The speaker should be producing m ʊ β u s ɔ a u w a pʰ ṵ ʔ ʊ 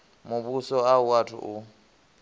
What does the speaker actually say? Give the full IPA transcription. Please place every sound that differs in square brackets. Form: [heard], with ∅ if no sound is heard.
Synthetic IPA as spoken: m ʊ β u s ɔ a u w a [tʰ] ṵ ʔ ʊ